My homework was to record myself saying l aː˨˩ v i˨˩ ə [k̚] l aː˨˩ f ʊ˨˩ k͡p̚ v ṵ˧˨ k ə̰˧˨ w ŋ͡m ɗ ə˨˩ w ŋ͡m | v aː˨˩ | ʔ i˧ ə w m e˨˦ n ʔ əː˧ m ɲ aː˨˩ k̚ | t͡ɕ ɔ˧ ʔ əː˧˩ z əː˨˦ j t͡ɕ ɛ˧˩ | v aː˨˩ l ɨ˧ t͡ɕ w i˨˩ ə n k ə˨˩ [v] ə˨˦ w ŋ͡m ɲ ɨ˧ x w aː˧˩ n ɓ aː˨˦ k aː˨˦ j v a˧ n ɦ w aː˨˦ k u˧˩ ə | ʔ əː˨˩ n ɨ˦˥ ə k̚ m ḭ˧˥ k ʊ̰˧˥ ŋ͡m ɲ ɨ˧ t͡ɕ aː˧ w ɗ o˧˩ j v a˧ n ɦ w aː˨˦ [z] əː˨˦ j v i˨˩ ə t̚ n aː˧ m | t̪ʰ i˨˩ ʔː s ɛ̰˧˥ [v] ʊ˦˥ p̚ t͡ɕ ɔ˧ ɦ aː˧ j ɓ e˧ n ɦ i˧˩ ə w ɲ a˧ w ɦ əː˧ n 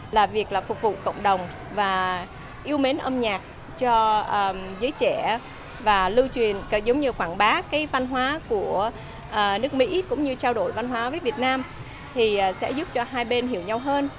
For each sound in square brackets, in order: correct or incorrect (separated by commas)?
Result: correct, incorrect, incorrect, incorrect